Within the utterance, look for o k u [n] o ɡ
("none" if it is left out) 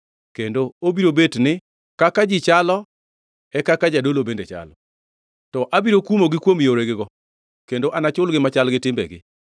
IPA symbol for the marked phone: m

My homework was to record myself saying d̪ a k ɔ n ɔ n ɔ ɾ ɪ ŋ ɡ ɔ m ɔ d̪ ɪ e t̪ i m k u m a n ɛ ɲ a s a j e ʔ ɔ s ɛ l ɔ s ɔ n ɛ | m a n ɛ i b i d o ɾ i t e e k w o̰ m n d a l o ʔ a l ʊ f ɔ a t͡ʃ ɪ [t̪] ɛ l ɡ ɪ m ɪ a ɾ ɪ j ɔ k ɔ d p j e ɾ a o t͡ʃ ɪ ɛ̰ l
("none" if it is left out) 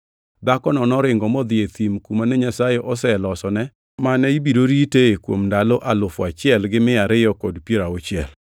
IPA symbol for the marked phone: none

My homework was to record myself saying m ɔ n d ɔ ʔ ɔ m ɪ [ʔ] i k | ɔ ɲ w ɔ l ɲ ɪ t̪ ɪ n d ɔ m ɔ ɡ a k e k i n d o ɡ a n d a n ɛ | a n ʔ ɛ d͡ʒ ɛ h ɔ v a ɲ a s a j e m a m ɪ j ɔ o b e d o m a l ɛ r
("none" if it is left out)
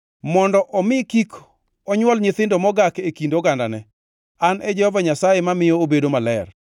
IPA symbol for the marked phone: k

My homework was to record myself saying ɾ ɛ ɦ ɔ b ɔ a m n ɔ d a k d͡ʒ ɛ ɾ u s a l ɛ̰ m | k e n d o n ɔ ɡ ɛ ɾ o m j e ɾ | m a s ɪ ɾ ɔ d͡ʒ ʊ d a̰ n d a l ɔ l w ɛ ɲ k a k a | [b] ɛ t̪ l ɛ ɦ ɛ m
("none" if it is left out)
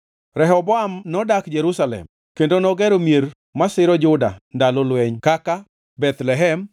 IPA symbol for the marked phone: b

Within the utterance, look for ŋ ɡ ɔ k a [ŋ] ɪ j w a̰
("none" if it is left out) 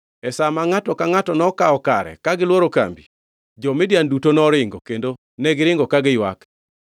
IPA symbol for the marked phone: ɡ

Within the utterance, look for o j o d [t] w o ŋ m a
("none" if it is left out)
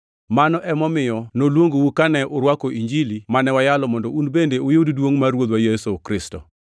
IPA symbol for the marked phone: d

